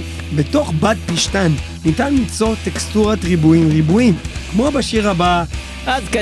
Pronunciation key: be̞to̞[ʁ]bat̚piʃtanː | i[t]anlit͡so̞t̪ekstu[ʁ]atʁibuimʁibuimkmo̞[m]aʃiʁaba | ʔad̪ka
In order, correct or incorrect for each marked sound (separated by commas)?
incorrect, correct, correct, incorrect